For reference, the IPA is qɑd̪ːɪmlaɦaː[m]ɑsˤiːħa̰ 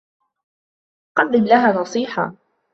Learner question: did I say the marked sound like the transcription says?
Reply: no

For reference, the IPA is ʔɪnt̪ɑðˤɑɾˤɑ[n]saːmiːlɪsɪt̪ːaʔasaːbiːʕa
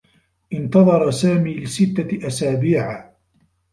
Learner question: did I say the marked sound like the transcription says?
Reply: no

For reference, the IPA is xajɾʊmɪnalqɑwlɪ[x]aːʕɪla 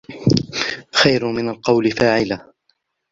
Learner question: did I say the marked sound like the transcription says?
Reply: no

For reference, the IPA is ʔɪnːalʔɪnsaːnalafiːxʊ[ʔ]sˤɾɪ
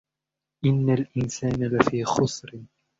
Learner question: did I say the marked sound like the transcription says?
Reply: no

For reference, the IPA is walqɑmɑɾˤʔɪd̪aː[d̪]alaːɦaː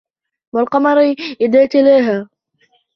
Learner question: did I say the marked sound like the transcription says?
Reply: no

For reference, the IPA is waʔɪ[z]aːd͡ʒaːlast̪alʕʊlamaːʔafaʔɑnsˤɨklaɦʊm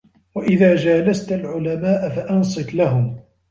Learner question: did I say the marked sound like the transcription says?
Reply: no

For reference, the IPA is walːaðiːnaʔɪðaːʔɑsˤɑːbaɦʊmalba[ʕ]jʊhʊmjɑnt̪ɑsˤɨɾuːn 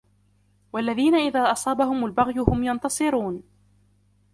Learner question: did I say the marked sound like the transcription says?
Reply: no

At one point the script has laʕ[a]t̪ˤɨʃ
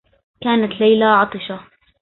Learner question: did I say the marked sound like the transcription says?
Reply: no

